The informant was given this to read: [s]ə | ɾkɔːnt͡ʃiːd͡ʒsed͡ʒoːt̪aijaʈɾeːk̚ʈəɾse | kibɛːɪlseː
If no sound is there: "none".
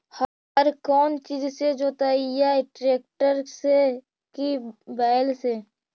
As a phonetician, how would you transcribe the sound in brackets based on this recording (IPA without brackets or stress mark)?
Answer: h